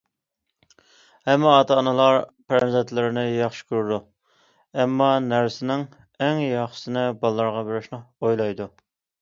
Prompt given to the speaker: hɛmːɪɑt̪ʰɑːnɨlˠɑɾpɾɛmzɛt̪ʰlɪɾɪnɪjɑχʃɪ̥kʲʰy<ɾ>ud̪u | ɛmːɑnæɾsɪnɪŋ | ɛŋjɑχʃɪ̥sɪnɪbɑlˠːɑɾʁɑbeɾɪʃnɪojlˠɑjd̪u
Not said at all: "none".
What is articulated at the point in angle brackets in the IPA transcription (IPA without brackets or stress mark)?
ɾ